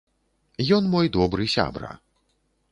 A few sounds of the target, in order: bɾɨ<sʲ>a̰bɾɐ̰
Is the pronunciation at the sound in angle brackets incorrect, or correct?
correct